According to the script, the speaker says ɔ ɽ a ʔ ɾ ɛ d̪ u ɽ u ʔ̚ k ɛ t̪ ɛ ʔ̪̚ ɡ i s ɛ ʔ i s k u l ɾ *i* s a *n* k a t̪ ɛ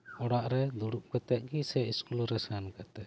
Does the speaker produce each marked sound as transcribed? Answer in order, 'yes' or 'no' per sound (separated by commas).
no, yes